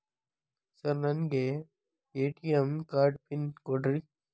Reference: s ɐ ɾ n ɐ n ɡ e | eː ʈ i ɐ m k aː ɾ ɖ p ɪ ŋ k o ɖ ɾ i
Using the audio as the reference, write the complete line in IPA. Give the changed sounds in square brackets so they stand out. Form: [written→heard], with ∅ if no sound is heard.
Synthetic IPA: s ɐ ɾ n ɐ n ɡ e | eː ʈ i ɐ m k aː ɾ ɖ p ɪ [ŋ→n] k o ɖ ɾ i